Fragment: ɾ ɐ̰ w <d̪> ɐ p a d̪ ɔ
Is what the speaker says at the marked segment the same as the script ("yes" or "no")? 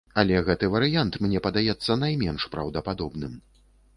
yes